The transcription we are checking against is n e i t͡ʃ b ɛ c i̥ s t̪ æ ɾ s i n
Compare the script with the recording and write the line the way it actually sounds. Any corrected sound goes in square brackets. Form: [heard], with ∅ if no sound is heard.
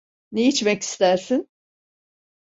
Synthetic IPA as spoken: n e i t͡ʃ [m] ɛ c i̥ s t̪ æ ɾ s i n